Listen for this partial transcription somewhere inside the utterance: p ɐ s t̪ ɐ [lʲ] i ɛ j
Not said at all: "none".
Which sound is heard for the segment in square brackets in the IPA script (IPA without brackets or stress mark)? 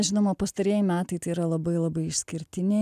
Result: ɾʲ